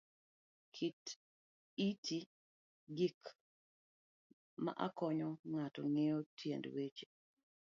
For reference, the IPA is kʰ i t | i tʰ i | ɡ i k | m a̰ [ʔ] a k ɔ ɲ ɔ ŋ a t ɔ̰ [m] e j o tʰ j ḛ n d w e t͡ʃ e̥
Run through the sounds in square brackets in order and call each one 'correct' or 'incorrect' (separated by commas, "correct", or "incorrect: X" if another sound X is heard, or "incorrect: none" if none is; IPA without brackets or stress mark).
correct, incorrect: ŋ